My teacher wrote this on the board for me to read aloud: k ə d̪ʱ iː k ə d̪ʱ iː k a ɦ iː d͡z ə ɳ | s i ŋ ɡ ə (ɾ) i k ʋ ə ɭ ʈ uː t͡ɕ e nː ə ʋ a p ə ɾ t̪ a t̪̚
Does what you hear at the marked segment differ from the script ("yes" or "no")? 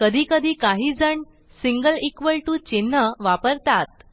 yes